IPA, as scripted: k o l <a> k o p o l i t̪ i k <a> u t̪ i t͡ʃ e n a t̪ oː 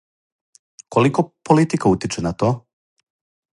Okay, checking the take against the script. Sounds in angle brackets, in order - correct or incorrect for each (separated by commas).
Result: incorrect, correct